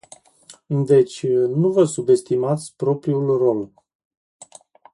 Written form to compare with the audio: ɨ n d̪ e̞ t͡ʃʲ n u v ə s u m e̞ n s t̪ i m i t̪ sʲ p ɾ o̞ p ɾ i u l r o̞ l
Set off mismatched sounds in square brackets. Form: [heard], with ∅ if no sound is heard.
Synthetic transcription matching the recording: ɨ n d̪ e̞ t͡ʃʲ n u v ə s u [b] e̞ [∅] s t̪ i m [a] t̪ sʲ p ɾ o̞ p ɾ i u l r o̞ l